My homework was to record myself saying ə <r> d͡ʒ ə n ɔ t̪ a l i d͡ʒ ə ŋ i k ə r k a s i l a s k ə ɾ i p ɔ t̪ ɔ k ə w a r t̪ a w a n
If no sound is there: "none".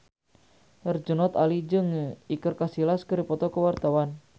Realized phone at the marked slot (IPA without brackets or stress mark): r